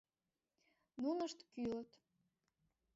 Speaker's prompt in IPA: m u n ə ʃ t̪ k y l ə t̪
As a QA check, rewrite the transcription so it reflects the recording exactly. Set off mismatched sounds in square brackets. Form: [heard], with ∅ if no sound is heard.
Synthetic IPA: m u n ə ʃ t̪ k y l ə t̪